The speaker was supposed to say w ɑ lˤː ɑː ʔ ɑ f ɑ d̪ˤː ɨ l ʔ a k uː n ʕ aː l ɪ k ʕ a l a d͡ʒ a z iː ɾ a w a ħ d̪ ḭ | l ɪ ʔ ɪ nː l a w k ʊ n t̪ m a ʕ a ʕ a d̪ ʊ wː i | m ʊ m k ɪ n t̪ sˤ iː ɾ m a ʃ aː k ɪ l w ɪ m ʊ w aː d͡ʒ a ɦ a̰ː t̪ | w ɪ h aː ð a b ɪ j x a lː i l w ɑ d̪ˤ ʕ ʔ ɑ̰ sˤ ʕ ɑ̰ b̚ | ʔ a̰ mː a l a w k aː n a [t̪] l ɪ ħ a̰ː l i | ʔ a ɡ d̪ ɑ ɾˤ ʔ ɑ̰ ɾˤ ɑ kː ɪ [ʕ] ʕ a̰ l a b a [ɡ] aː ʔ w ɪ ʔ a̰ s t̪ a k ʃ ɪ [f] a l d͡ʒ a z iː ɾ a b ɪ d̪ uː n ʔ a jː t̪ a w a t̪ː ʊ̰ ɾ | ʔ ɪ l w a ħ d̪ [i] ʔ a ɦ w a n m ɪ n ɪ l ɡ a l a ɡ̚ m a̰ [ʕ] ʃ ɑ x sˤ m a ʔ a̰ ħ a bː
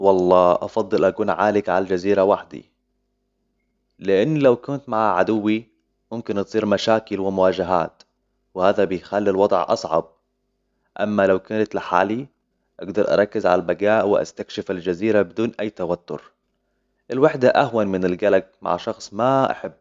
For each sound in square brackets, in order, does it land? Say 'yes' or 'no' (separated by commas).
yes, no, yes, yes, no, yes